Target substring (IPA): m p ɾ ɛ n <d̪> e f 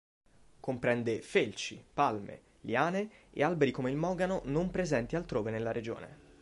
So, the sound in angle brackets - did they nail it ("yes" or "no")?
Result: yes